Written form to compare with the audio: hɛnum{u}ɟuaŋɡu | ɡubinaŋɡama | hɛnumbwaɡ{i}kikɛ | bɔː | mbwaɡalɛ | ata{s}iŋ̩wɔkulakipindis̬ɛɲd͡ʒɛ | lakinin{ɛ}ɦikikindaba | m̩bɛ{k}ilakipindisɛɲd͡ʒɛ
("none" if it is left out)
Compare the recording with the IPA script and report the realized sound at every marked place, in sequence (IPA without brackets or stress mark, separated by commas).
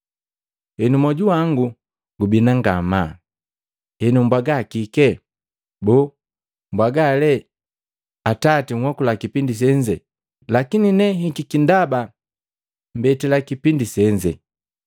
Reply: ɔ, a, t, ɛ, t